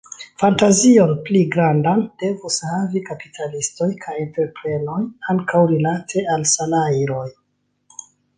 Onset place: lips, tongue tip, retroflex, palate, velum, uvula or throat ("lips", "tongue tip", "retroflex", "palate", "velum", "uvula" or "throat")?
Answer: lips